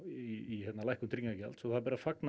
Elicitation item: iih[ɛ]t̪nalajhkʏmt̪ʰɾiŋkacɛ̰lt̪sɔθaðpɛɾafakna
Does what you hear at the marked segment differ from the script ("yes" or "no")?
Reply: no